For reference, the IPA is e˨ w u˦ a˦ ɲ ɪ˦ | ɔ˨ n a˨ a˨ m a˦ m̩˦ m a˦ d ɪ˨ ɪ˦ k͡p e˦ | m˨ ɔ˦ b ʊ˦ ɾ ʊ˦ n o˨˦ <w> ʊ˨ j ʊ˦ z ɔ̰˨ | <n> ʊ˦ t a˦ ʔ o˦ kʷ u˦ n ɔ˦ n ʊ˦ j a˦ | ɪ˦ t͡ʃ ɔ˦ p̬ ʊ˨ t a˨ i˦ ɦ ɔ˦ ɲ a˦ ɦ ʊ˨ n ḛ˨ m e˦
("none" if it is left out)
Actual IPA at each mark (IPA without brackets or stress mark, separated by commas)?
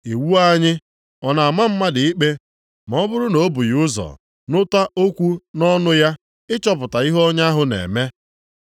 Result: b, n